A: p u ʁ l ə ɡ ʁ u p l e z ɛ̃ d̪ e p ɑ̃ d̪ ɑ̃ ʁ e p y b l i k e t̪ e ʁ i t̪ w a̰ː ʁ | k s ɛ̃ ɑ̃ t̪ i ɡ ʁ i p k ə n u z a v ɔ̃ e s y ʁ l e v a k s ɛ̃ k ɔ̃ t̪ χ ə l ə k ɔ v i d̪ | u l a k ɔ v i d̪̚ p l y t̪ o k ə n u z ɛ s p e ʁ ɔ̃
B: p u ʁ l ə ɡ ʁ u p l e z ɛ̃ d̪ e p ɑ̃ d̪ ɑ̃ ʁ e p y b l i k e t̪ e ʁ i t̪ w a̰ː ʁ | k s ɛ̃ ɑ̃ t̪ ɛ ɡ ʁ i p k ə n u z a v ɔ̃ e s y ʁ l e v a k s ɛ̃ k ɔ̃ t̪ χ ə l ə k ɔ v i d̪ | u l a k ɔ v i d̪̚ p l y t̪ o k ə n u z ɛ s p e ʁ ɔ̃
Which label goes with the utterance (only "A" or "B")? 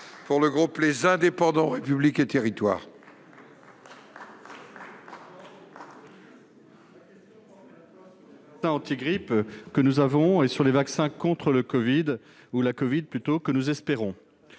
A